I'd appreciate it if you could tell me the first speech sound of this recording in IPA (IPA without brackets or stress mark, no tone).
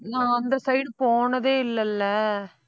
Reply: n